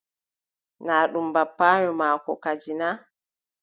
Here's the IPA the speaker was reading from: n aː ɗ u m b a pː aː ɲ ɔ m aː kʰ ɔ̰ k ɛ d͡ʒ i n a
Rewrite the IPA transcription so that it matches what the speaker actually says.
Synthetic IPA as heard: n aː ɗ u m b a pː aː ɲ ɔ m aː k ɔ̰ k a d͡ʒ i n a